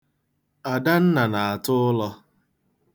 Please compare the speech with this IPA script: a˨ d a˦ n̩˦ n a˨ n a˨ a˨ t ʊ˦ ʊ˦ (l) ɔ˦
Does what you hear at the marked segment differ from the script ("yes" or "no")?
no